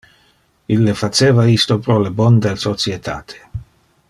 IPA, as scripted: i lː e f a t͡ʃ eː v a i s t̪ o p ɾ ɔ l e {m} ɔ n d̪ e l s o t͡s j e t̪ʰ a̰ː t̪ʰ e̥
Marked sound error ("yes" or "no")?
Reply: yes